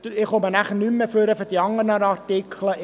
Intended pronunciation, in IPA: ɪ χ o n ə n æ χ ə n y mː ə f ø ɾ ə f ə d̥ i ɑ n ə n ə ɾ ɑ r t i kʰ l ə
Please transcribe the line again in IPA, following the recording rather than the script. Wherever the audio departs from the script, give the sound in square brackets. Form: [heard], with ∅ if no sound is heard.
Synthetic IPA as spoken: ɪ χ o [m] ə n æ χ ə n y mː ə f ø ɾ ə f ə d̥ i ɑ [ŋ] ə n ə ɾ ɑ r t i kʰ l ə